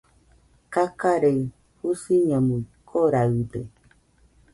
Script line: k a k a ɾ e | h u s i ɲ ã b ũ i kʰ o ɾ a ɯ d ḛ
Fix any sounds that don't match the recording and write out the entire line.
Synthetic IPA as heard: k a k a ɾ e | h u s i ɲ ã m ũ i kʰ o ɾ a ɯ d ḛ

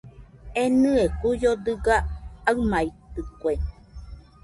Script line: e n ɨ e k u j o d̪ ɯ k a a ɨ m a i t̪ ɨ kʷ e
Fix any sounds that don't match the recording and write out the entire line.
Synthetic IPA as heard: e n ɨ e k u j o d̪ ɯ ɡ a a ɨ m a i t̪ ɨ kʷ e

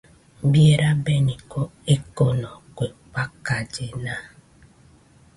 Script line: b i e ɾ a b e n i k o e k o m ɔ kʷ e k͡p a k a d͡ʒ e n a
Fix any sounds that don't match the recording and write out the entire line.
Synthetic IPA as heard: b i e ɾ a b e n i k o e k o n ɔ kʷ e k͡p a k a d͡ʒ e n a

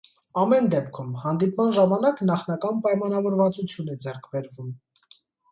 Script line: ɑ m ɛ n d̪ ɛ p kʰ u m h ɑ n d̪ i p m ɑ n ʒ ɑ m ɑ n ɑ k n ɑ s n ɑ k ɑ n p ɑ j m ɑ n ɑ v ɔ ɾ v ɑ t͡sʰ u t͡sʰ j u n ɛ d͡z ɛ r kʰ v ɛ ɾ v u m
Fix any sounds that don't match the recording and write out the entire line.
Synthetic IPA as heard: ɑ m ɛ n d̪ ɛ p kʰ u m h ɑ n d̪ i p m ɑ n ʒ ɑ m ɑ n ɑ k n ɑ χ n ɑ k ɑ n p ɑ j m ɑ n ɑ v ɔ ɾ v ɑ t͡s u t͡sʰ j u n ɛ d͡z ɛ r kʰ b ɛ ɾ v u m

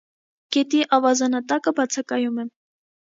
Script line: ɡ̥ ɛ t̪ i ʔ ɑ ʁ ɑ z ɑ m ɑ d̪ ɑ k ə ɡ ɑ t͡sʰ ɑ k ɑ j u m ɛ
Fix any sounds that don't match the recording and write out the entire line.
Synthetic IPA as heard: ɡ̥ ɛ t̪ i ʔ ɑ v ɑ z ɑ n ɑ t̪ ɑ k ə b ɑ t͡sʰ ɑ k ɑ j u m ɛ

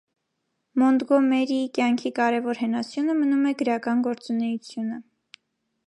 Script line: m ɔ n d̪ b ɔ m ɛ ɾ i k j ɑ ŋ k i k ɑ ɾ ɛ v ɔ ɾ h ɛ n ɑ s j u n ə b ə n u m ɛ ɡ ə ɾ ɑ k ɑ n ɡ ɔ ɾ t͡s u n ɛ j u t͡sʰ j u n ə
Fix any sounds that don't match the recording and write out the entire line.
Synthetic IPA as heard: m ɔ n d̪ ɡ ɔ m ɛ ɾ i k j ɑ ŋ kʰ i k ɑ ɾ ɛ v ɔ ɾ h ɛ n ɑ s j u n ə m ə n u m ɛ ɡ ə ɾ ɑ k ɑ n ɡ ɔ ɾ t͡s u n ɛ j u t͡sʰ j u n ə

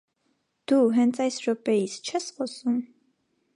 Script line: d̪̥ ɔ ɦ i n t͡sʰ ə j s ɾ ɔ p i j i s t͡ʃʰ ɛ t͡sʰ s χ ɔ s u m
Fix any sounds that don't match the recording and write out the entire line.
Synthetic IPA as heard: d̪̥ u ɦ ɛ n t͡sʰ ɑ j s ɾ ɔ p ɛ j i s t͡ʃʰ ɛ s χ ɔ s u m

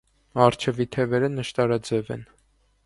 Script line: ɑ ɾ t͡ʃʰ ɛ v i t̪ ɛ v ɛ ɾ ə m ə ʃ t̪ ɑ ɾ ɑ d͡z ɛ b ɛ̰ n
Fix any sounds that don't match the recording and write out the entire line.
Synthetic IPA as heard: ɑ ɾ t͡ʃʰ ɛ v i t̪ʰ ɛ v ɛ ɾ ə n ə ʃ t̪ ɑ ɾ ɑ d͡z ɛ v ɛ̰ n

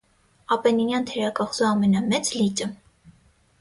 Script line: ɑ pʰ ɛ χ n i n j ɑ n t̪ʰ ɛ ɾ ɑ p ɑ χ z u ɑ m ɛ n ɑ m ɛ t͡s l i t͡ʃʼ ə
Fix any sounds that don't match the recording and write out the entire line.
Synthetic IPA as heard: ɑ p ɛ n i n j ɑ n t̪ʰ ɛ ɾ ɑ k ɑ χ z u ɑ m ɛ n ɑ m ɛ t͡s l i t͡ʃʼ ə

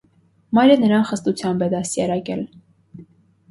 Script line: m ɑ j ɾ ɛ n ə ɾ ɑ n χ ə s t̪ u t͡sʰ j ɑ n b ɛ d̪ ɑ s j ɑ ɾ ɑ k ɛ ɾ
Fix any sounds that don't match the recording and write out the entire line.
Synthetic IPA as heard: m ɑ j ɾ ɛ n ə ɾ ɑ n χ ə s t̪ u t͡sʰ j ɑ m b ɛ d̪ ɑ s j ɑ ɾ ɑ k ɛ l

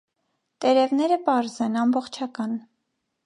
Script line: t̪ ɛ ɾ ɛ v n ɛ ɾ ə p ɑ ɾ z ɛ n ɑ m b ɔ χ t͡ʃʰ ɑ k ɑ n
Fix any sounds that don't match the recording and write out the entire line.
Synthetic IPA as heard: t̪ ɛ ɾ ɛ v n ɛ ɾ ə p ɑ ɾ z ɛ n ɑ m b ɔ χ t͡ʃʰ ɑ k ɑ n

